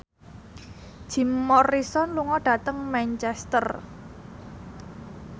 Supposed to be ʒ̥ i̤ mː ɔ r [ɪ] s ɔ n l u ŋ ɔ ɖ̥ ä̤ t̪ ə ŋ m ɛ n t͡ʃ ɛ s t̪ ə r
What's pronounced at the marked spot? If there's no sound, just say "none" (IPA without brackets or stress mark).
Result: i